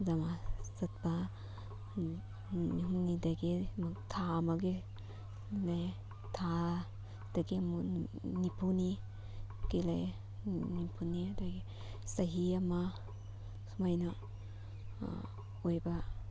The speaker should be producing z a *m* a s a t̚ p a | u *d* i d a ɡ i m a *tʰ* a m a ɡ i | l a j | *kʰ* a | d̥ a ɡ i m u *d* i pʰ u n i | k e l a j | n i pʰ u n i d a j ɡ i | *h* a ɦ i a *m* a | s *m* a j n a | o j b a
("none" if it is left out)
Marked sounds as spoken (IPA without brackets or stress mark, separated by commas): m, n, tʰ, tʰ, n, s, m, m